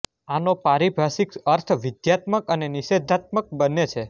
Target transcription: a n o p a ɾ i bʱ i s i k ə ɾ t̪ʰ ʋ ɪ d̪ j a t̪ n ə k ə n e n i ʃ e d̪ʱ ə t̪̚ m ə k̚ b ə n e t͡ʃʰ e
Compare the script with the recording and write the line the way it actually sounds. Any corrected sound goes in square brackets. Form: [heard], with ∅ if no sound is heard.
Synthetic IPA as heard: a n o p a ɾ i bʱ [a] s i k ə ɾ t̪ʰ ʋ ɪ d̪ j a t̪ [m] ə k ə n e n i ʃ e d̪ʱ [a] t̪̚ m ə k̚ b ə n e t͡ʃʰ e